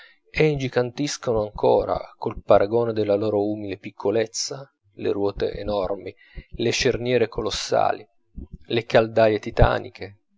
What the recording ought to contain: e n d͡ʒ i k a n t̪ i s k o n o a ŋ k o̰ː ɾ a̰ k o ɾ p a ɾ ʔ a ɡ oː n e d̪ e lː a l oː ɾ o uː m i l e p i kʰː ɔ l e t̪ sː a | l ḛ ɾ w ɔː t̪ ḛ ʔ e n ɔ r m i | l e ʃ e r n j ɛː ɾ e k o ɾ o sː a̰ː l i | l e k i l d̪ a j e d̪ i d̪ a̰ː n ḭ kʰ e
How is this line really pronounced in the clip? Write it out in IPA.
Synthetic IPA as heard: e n d͡ʒ i k a n t̪ i s k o n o a ŋ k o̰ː ɾ a̰ k o l p a ɾ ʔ a ɡ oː n e d̪ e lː a l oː ɾ o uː m i l e p i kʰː o l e t̪ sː a | l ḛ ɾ w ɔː t̪ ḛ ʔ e n ɔ r m i | l e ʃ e r n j ɛː ɾ e k o l o sː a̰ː l i | l e k a l d̪ a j e t̪ i t̪ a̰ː n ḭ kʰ e